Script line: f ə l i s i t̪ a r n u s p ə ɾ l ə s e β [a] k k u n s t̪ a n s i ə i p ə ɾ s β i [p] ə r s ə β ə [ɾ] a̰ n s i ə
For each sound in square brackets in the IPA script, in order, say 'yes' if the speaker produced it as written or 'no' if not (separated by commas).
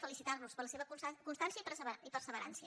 no, yes, yes